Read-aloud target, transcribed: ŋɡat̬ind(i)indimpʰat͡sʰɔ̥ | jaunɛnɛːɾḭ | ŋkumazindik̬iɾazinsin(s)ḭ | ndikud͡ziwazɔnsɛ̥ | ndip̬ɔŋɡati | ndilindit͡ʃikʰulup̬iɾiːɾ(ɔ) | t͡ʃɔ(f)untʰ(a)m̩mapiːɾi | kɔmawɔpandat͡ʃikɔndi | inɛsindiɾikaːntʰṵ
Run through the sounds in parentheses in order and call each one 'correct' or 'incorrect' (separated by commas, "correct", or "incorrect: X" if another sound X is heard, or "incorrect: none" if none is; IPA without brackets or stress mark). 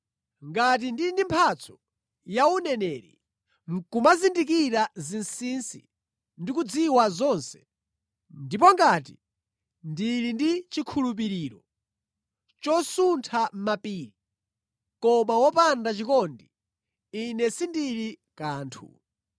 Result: correct, correct, correct, incorrect: s, correct